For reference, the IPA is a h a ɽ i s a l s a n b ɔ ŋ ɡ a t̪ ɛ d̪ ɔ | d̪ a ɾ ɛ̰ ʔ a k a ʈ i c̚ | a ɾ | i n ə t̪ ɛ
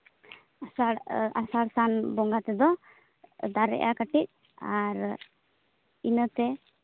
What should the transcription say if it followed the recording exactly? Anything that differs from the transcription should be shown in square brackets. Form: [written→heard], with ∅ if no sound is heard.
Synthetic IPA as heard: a [h→s] a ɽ [i→a] s a [l→ɽ] s a n b ɔ ŋ ɡ a t̪ ɛ d̪ ɔ | d̪ a ɾ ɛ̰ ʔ a k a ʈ i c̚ | a ɾ | i n ə t̪ ɛ

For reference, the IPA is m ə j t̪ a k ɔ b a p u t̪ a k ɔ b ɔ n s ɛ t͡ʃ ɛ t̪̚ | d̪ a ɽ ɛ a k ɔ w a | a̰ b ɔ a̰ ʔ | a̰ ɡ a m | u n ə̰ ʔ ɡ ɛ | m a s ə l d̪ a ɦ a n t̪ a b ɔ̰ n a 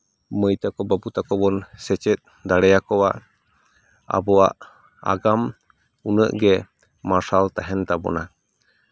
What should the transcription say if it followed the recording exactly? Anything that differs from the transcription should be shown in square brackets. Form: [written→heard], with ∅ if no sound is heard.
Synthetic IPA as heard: m ə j t̪ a k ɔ b a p u t̪ a k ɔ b ɔ n s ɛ t͡ʃ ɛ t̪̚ | d̪ a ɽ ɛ a k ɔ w a | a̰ b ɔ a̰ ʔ | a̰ ɡ a m | u n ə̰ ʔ ɡ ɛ | m a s [ə→a] l [d̪→t̪] a ɦ [a→ɛ] n t̪ a b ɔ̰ n a

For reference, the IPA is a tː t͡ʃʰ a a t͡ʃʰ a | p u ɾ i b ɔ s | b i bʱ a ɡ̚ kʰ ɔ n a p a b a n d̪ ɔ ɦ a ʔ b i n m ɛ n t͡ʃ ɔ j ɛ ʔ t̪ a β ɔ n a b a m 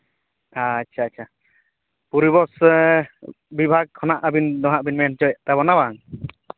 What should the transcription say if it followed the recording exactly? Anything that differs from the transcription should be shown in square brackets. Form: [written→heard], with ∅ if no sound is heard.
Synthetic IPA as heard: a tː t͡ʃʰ a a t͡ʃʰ a | p u ɾ i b ɔ s | b i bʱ a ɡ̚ kʰ ɔ n a [p→ʔ] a b [a→i] n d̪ ɔ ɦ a ʔ b i n m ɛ n t͡ʃ ɔ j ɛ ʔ t̪ a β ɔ n a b a [m→ŋ]

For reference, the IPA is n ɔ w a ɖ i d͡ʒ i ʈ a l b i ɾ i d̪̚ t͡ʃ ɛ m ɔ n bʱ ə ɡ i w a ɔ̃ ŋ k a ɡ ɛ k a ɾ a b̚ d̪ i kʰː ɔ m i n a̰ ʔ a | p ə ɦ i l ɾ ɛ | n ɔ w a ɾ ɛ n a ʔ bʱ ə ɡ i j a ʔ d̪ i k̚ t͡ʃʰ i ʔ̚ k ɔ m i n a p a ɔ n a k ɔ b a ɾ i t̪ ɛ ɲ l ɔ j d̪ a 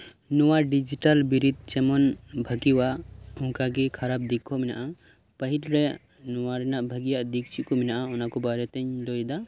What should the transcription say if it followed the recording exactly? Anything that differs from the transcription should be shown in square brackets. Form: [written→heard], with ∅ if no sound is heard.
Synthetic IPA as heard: n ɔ w a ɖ i d͡ʒ i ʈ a l b i ɾ i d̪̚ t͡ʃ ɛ m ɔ n bʱ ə ɡ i w a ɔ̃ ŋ k a ɡ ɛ [k→kʰ] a ɾ a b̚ d̪ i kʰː ɔ m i n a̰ ʔ a | p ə ɦ i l ɾ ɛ | n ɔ w a ɾ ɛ n a ʔ bʱ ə ɡ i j a ʔ d̪ i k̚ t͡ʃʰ i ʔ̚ k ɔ m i n a [p→ʔ] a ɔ n a k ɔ b a ɾ [i→ɛ] t̪ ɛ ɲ l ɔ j d̪ a

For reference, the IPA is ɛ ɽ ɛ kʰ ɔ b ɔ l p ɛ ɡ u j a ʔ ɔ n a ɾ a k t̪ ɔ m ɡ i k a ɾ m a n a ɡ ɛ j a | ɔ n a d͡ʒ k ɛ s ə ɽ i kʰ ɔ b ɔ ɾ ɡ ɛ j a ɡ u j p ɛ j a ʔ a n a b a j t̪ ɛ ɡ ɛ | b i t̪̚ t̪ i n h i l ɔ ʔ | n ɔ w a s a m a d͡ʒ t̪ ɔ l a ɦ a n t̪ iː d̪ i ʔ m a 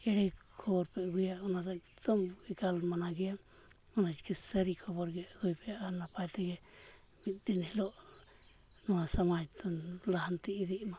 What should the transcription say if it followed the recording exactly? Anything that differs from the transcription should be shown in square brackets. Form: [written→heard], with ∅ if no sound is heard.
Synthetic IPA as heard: ɛ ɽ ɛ kʰ ɔ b ɔ [l→ɾ] p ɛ ɡ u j a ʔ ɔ n a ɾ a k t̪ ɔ m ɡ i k a [ɾ→l] m a n a ɡ ɛ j a | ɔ n a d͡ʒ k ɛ s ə [ɽ→ɾ] i kʰ ɔ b ɔ ɾ ɡ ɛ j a ɡ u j p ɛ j a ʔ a n a [b→p] a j t̪ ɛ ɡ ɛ | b i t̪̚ [t̪→d̪] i n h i l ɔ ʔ | n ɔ w a s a m a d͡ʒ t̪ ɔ l a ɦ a n t̪ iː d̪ i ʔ m a

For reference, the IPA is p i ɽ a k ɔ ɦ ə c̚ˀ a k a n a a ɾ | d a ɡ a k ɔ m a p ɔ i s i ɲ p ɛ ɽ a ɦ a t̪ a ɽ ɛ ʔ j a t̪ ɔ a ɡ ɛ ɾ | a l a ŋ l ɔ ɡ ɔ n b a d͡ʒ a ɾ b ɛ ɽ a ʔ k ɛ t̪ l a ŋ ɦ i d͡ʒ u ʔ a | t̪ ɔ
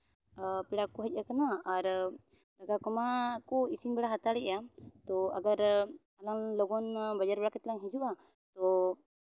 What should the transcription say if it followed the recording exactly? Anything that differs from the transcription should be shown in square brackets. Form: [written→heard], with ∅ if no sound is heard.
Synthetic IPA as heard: p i ɽ a k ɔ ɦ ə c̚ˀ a k a n a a ɾ | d a ɡ a k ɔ m a [p→k] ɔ i s i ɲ [p→b] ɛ ɽ a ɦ a t̪ a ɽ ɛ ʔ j a t̪ ɔ a ɡ [ɛ→a] ɾ | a l a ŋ l ɔ ɡ ɔ n b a d͡ʒ a ɾ b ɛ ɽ a [ʔ→∅] k ɛ t̪ l a ŋ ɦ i d͡ʒ u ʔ a | t̪ ɔ

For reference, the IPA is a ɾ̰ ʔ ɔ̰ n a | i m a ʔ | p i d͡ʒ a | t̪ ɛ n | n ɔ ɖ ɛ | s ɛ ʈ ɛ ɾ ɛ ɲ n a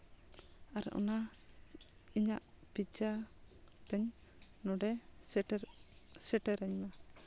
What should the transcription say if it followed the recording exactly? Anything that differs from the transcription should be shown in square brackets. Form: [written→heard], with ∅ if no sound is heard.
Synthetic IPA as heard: a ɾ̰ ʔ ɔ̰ n a | i [m→ɲ] a ʔ | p i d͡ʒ a | t̪ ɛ [n→ɲ] | n ɔ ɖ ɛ | s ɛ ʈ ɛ ɾ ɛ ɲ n a

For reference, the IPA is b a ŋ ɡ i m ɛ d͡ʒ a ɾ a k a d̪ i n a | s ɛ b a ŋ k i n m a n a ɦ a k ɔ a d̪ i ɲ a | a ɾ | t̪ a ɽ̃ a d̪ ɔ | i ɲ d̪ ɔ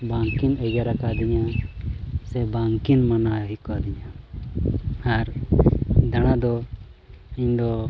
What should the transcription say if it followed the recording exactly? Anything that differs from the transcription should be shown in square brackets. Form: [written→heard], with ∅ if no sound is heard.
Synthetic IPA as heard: b a ŋ [ɡ→k] i [m→n] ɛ d͡ʒ a ɾ a k a d̪ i [n→ɲ] a | s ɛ b a ŋ k i n m a n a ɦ [a→i] k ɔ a d̪ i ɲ a | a ɾ | [t̪→d̪] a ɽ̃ a d̪ ɔ | i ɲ d̪ ɔ

